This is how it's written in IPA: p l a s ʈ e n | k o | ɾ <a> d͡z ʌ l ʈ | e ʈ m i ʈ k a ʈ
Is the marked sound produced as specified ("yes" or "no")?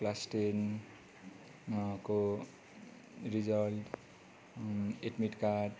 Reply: no